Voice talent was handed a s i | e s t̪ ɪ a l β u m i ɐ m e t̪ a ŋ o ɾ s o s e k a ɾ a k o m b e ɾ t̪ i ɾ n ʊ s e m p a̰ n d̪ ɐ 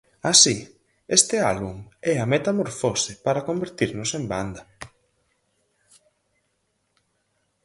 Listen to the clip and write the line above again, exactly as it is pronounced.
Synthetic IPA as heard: a s i | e s t̪ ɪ a l β u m ɛ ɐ m e t̪ a m o ɾ f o s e p a ɾ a k o m b e ɾ t̪ i ɾ n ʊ s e m b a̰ n d̪ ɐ